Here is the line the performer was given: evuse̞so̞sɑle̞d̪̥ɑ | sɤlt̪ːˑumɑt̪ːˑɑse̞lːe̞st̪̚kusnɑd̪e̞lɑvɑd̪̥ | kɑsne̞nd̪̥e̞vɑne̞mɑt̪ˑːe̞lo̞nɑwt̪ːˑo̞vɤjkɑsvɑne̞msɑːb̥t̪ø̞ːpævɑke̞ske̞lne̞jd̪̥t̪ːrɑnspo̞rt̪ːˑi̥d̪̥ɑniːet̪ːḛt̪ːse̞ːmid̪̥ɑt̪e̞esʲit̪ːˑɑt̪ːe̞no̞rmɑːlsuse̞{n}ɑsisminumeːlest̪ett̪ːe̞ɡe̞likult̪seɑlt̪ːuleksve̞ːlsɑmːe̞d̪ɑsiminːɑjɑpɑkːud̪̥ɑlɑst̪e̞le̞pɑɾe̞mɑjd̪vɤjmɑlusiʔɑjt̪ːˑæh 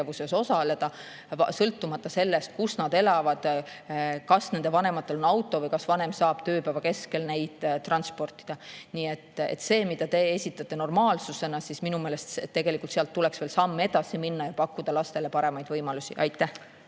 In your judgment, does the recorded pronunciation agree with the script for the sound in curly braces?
yes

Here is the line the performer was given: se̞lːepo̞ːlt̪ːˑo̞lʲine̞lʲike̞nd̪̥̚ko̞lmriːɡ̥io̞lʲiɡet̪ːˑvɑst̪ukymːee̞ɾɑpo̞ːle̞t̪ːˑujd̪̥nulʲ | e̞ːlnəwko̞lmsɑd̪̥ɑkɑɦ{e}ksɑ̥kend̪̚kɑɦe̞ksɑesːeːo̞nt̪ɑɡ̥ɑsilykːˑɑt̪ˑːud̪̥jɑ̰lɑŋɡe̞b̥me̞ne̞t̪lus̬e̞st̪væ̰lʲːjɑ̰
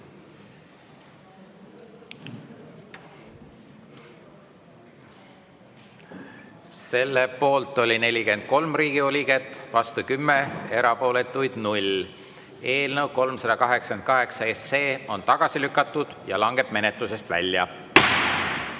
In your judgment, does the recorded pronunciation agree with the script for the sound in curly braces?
yes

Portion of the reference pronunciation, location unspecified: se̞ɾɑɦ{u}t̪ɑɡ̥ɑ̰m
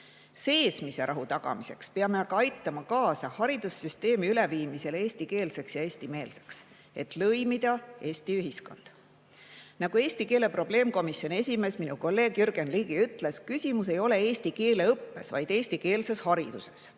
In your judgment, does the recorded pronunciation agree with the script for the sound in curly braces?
yes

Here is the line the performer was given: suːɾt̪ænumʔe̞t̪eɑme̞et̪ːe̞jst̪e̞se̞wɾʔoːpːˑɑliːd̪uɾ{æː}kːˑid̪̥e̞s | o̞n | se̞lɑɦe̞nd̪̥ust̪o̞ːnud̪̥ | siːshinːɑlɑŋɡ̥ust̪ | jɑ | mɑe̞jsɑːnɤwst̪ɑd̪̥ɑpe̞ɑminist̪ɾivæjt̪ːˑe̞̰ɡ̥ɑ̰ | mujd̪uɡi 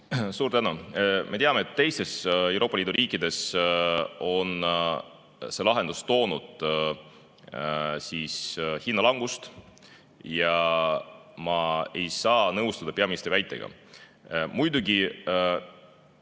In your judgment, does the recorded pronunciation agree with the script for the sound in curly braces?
no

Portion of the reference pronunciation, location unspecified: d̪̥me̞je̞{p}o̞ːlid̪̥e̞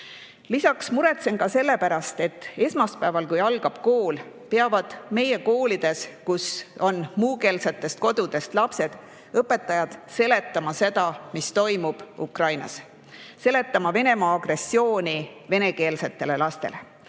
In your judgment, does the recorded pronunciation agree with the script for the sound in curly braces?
no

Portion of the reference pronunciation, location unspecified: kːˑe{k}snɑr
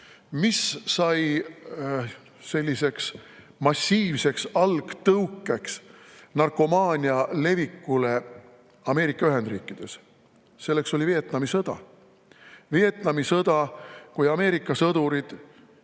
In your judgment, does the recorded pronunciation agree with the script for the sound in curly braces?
yes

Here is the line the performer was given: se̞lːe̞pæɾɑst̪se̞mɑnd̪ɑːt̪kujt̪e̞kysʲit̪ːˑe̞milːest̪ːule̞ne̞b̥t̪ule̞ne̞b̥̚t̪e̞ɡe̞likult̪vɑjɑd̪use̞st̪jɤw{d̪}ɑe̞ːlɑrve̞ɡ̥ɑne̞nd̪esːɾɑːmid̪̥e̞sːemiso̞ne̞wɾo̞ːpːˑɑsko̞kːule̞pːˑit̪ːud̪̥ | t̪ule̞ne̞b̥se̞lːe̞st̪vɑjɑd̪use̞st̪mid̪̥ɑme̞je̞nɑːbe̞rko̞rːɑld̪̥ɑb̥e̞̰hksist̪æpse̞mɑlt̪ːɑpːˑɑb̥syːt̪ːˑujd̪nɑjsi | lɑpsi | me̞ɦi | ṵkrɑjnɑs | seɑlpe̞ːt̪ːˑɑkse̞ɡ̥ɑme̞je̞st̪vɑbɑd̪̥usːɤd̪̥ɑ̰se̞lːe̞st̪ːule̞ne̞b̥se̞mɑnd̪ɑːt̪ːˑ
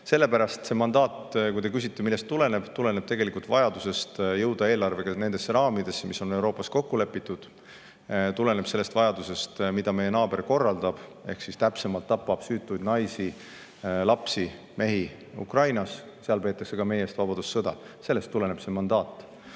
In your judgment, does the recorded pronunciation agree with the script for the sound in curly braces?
yes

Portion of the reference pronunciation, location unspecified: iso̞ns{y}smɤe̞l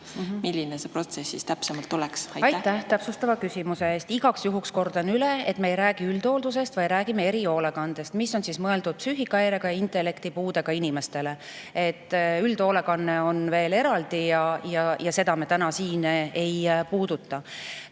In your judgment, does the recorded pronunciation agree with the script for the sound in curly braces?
no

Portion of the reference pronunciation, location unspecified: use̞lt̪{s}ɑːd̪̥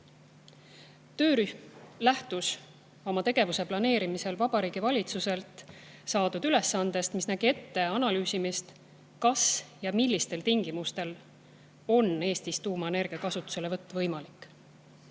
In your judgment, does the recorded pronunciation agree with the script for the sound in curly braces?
yes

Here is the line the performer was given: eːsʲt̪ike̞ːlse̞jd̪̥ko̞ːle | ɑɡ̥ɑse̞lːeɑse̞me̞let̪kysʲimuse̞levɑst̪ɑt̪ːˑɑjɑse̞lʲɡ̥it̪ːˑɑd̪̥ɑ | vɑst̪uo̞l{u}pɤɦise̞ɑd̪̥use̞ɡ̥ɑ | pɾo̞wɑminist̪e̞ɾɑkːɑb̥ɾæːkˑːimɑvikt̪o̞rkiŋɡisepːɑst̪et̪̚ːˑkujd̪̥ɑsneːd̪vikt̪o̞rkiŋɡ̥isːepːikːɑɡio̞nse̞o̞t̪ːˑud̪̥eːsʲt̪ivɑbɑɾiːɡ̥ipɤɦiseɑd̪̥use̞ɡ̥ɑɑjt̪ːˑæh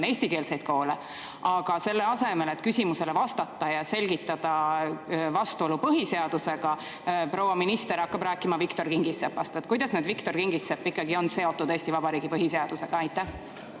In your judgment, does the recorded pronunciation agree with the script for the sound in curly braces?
yes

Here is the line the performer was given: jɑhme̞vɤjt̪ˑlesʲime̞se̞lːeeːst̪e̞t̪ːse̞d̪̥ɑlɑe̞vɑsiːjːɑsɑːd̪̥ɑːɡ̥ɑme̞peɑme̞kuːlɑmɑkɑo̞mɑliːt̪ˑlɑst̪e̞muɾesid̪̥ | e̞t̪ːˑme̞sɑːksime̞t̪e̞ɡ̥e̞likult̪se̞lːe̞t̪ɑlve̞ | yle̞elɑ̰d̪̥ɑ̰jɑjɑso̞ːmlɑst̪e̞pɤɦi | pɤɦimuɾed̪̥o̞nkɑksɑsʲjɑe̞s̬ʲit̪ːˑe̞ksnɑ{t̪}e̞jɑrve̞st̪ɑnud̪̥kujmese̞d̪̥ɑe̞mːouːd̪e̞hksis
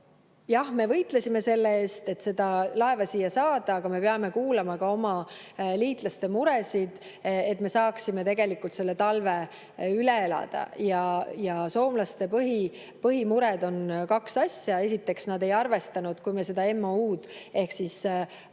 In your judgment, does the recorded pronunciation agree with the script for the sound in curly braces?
no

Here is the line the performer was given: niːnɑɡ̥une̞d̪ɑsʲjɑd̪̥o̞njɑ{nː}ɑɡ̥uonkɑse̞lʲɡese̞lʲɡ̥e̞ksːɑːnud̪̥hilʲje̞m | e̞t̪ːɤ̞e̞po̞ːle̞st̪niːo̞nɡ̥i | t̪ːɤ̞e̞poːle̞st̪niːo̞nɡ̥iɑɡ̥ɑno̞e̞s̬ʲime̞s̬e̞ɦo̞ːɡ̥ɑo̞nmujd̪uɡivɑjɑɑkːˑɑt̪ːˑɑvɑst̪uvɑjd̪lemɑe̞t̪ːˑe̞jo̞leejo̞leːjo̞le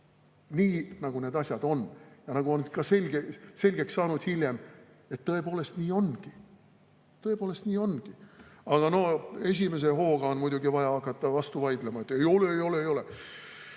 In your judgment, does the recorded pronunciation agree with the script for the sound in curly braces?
no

